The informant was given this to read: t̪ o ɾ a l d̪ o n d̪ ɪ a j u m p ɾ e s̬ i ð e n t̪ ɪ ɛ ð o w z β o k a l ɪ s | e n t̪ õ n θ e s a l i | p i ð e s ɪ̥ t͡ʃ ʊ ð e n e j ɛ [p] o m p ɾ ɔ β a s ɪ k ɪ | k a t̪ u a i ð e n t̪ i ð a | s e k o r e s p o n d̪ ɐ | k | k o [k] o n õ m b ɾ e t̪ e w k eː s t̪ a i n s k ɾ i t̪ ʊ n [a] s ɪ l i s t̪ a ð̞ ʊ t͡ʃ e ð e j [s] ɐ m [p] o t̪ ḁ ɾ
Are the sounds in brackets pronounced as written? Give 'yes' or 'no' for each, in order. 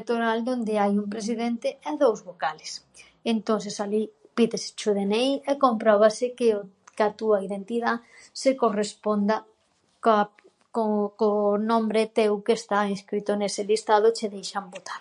no, yes, no, no, no

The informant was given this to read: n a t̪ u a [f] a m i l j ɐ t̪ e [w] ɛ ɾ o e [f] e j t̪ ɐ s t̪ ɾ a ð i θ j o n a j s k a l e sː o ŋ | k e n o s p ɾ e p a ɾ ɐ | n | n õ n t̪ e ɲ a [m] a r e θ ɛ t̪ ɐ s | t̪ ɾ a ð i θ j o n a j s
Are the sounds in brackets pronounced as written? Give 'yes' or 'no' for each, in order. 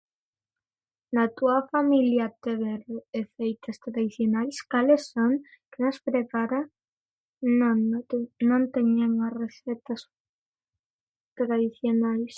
yes, no, yes, no

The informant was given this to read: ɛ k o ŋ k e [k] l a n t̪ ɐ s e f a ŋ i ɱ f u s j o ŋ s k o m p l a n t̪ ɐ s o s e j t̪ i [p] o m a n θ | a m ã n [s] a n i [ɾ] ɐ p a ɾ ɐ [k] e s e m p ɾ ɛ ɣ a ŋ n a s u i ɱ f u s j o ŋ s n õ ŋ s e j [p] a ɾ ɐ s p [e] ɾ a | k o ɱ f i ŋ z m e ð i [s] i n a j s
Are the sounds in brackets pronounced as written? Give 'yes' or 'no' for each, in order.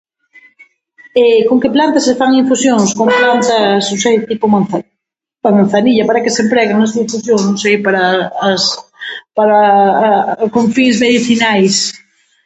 no, yes, no, no, yes, yes, no, no

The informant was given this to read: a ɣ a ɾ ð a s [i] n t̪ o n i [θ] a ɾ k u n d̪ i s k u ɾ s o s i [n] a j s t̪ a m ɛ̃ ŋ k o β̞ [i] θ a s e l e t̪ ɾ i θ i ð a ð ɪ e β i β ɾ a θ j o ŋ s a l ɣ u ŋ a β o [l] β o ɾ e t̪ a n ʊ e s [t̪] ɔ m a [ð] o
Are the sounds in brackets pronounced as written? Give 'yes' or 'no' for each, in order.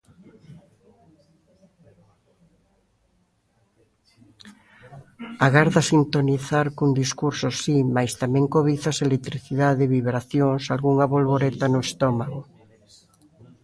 yes, yes, no, yes, yes, yes, no

